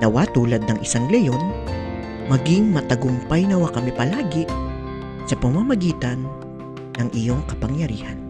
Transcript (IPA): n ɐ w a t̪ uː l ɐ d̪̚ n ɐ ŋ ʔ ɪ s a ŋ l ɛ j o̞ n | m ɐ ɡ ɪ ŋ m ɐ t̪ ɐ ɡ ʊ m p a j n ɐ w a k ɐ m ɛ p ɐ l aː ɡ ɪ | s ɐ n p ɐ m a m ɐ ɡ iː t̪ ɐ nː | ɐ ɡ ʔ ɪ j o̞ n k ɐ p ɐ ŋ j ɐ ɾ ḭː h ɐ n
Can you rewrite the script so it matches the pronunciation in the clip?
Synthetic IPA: n ɐ w a t̪ uː l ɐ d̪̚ n ɐ ŋ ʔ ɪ s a ŋ l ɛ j o̞ n | m ɐ ɡ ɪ ŋ m ɐ t̪ ɐ ɡ ʊ m p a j n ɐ w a k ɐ m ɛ p ɐ l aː ɡ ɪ | s ɐ p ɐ m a m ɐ ɡ iː t̪ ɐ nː | ɐ ŋ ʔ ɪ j o̞ ŋ k ɐ p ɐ ŋ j ɐ ɾ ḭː h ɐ n